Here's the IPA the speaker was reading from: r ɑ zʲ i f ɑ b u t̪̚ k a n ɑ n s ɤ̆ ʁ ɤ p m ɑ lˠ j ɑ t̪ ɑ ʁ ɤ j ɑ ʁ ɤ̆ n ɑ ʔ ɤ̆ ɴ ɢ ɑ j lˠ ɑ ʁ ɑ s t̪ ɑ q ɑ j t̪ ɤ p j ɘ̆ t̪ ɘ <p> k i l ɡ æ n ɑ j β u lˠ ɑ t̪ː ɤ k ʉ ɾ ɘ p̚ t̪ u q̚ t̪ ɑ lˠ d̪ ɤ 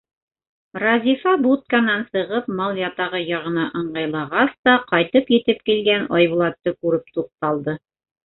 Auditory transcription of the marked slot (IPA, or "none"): p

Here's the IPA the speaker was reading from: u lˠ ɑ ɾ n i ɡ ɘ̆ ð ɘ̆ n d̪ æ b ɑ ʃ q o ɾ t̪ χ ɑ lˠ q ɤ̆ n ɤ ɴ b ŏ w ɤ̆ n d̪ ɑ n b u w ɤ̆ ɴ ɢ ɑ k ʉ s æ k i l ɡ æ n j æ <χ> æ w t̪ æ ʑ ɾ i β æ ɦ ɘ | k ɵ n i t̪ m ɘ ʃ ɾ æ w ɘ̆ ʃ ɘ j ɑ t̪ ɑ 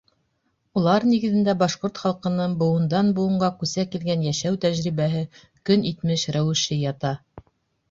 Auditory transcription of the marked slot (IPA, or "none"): ʃ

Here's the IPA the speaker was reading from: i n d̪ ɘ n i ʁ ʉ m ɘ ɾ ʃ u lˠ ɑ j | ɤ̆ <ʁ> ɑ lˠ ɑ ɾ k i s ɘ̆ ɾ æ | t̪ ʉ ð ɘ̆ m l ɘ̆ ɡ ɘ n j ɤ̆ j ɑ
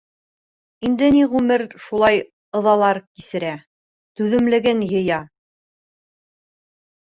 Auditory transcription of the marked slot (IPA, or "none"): ð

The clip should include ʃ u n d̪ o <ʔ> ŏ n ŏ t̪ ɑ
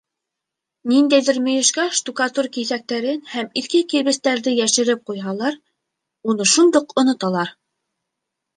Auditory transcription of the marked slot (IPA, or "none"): q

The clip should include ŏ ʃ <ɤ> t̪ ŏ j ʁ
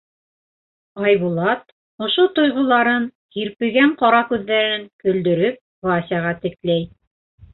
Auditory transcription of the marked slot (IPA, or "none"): o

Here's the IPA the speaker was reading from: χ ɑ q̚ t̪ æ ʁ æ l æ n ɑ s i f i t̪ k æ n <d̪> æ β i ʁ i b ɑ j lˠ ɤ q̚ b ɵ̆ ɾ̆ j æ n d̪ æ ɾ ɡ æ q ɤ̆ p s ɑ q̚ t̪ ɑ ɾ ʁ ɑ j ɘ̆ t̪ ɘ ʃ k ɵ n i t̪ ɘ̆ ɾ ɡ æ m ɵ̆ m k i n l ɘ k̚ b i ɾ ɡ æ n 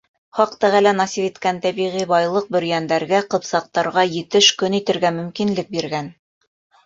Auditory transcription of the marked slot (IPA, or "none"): t̪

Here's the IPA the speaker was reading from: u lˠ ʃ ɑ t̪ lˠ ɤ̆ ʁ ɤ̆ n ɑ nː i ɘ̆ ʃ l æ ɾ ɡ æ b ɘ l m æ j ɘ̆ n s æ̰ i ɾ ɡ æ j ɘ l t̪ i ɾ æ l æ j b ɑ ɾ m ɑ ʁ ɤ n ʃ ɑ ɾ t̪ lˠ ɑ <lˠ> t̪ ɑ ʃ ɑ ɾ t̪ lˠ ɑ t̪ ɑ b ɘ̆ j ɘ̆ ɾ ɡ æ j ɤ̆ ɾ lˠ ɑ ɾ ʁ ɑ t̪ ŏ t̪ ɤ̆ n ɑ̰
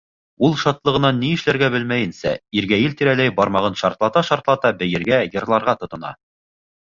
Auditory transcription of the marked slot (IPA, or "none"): none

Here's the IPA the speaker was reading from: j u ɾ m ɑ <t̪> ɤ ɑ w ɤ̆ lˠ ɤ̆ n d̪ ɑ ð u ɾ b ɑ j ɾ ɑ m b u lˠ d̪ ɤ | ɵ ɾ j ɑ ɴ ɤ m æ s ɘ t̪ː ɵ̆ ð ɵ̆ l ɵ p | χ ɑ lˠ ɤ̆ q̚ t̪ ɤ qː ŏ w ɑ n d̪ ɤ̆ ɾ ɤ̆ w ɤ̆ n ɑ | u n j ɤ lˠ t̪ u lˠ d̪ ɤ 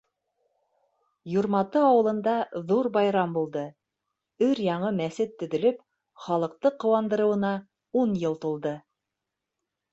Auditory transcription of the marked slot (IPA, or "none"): t̪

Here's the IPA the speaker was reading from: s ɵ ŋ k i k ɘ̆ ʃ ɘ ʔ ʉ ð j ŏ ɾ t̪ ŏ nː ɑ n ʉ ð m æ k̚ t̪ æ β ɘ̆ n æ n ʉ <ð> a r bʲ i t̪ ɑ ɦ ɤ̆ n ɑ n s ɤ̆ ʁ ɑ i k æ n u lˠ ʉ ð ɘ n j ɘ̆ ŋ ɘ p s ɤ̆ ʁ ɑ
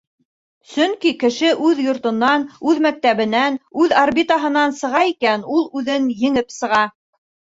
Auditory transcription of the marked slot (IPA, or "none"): ð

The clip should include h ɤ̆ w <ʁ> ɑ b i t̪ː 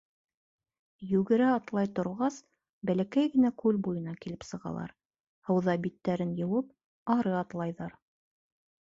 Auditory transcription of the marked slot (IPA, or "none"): ð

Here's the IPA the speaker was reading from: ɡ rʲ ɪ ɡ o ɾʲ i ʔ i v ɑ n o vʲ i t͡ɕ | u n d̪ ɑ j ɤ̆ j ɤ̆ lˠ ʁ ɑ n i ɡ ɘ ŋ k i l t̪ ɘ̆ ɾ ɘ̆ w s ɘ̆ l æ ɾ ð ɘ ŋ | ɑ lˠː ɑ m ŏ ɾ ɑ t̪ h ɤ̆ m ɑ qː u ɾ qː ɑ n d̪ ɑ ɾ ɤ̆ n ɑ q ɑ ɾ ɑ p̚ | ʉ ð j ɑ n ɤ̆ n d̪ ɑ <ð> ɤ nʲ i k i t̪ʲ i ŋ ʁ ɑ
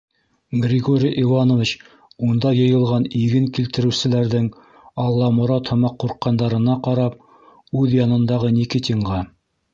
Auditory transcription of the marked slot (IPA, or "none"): ʁ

